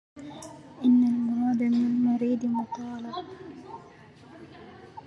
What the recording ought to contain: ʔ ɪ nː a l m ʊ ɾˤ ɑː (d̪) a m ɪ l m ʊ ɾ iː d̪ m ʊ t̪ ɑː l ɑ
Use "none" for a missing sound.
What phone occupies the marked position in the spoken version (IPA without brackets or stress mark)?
d̪